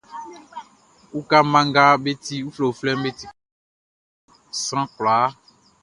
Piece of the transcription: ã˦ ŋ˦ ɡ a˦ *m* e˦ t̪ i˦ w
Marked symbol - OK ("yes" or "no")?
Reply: no